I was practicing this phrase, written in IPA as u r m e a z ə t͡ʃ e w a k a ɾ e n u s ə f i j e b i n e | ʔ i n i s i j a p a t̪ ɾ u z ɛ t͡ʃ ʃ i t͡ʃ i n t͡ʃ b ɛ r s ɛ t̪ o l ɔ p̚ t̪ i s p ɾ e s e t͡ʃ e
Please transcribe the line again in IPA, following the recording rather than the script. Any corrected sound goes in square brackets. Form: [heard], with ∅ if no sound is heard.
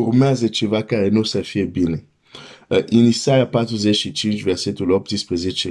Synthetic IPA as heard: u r m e a z ə t͡ʃ e [v] a k a ɾ e n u s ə f i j e b i n e | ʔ i n i s [a] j a p a t̪ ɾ u z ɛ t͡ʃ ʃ i t͡ʃ i n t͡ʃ [v] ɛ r s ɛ t̪ [u] l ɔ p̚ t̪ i s p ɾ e [z] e t͡ʃ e